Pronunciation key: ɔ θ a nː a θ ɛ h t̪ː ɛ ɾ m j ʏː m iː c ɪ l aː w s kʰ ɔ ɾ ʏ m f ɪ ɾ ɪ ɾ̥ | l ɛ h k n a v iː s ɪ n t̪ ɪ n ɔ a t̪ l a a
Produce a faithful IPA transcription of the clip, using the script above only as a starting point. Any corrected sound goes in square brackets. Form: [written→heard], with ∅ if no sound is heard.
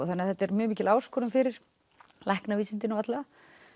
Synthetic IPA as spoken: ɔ θ a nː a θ ɛ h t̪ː ɛ ɾ m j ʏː m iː c ɪ l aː w s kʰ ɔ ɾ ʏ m f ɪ ɾ ɪ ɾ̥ | l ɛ h k n a v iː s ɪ n t̪ ɪ n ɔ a t̪ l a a